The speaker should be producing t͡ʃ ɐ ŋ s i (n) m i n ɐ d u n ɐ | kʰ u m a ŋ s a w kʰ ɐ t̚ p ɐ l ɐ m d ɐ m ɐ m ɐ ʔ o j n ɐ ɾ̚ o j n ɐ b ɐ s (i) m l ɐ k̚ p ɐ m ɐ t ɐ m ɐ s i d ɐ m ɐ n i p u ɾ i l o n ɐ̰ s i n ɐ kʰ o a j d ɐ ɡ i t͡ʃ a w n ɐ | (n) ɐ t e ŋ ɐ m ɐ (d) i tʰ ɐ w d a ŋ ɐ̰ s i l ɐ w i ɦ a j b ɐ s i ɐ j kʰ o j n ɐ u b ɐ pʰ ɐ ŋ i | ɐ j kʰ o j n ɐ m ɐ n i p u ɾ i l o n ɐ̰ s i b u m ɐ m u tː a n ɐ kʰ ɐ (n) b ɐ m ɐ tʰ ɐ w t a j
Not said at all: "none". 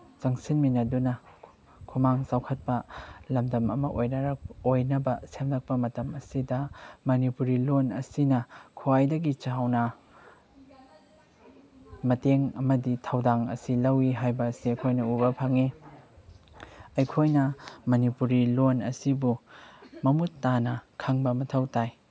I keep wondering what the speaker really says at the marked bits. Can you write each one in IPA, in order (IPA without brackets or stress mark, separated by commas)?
n, e, m, d, ŋ